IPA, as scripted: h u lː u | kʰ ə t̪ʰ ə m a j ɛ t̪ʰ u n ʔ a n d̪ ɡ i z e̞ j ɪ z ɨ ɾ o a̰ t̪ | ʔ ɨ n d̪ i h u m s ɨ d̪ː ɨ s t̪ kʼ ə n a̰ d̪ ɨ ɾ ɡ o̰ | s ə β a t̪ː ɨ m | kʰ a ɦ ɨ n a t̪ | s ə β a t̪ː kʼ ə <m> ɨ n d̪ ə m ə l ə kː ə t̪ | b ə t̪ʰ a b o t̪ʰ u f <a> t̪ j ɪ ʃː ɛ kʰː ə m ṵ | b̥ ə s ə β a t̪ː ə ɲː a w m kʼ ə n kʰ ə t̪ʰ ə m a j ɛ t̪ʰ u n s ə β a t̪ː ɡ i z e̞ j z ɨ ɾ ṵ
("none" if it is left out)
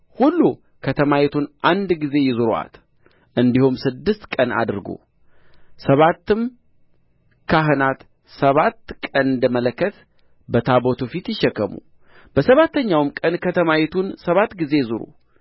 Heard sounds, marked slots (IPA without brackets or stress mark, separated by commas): n, i